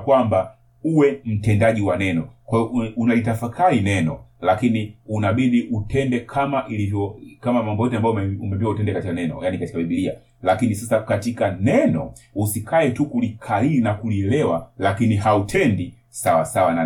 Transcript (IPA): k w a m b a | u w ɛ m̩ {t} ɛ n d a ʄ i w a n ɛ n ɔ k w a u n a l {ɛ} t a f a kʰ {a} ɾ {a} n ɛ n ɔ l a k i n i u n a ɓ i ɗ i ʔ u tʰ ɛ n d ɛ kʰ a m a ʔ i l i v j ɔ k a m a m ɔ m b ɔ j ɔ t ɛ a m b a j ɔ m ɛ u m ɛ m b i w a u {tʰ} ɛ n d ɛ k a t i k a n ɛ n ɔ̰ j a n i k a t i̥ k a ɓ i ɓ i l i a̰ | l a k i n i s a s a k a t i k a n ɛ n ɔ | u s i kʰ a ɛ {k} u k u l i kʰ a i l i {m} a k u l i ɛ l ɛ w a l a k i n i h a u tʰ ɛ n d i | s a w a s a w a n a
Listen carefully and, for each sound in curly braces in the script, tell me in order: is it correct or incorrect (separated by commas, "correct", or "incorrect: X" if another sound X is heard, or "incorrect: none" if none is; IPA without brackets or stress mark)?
correct, incorrect: i, correct, incorrect: i, incorrect: t, incorrect: t, incorrect: n